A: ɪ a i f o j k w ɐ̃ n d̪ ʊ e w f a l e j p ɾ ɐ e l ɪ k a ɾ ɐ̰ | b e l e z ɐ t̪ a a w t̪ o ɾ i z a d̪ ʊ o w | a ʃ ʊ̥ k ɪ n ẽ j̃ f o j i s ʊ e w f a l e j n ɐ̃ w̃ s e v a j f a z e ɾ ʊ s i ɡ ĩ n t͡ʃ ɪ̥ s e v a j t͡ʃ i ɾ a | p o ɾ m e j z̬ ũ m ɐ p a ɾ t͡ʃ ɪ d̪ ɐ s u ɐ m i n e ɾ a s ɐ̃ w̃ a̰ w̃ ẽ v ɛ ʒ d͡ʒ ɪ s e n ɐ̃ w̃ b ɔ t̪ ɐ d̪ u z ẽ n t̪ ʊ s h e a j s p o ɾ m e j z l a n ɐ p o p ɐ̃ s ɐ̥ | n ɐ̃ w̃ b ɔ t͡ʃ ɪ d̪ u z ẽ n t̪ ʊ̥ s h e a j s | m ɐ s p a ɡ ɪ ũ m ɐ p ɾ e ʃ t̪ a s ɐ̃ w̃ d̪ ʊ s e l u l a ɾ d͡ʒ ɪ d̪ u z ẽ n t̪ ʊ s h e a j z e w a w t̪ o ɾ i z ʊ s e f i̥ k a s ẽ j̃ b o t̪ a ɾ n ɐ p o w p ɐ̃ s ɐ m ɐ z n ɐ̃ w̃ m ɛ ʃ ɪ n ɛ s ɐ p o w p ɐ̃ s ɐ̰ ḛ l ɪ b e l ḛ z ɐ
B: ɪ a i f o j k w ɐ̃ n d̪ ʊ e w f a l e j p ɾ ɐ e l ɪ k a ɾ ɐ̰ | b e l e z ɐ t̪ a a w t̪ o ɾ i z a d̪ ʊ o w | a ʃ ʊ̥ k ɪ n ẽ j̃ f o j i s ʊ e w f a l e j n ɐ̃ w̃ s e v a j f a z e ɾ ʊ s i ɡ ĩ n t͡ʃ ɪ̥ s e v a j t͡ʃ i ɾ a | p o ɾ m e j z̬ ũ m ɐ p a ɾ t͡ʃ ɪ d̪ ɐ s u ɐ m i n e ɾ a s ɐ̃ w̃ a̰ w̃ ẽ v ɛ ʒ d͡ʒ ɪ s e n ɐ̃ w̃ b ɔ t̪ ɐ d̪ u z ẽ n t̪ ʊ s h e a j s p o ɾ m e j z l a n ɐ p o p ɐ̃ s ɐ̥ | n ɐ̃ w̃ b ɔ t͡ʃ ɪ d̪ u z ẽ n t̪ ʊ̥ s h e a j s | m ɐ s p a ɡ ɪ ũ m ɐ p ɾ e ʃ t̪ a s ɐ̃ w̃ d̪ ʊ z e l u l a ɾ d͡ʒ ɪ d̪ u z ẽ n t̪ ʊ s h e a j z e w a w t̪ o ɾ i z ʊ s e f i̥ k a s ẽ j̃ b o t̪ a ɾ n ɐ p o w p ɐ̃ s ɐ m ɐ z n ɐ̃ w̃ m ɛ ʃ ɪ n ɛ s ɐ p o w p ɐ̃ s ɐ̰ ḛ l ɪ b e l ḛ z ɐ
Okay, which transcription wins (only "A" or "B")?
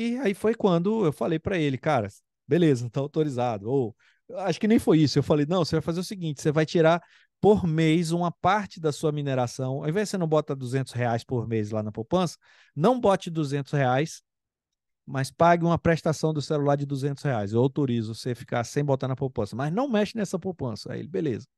A